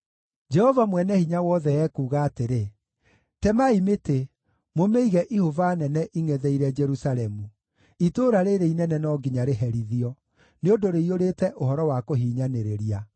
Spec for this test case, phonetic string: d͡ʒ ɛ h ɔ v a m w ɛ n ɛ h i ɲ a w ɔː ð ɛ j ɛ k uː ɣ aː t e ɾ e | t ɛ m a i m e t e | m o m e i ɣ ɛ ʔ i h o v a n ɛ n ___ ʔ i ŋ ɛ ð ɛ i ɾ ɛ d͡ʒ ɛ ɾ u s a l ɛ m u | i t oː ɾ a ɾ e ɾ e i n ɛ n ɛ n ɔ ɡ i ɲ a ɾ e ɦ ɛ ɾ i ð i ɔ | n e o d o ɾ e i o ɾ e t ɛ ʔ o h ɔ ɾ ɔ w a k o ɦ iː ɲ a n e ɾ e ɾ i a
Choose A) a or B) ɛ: B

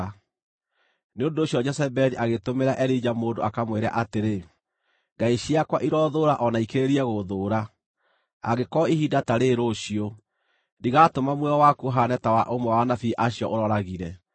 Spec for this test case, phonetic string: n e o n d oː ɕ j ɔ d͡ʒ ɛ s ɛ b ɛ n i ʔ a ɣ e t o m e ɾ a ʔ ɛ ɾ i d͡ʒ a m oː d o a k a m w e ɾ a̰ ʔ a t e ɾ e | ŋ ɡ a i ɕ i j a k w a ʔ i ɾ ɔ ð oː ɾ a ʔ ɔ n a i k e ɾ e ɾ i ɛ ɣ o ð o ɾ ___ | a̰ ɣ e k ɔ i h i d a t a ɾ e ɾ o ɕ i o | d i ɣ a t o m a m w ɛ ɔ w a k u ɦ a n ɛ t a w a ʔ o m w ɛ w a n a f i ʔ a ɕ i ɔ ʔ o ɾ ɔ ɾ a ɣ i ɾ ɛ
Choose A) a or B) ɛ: A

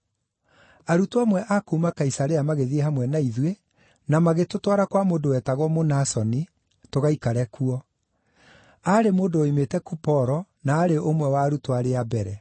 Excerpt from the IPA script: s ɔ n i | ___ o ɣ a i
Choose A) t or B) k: A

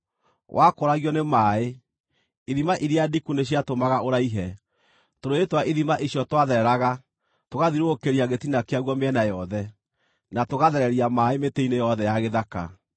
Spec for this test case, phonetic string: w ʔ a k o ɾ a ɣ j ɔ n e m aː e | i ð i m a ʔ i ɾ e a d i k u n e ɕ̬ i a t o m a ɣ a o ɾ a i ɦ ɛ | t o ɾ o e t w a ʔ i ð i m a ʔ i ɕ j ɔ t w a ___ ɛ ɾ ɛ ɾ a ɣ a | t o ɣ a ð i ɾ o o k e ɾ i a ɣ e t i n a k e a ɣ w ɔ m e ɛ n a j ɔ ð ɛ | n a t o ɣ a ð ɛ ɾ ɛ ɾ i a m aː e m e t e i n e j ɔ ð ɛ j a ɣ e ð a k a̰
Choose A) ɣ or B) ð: B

